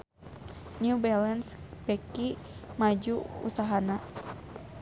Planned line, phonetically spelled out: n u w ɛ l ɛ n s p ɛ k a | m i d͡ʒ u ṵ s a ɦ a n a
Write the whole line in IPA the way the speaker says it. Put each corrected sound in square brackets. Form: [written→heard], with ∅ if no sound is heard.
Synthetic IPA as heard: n u [w→b] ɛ l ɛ n s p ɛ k [a→i] | m [i→a] d͡ʒ u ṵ s a ɦ a n a